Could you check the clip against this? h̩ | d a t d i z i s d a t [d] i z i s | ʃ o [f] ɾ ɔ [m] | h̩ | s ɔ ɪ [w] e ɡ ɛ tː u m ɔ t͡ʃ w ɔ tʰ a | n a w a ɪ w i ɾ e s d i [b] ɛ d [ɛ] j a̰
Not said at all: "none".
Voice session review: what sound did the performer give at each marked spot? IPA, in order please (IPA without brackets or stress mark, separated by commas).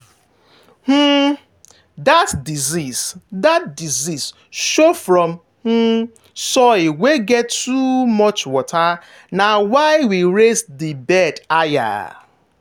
d, f, m, w, b, a